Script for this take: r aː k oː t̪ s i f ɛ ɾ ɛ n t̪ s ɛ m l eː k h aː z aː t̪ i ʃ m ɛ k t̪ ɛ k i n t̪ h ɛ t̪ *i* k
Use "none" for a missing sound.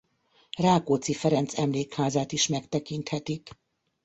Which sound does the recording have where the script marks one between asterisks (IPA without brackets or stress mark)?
i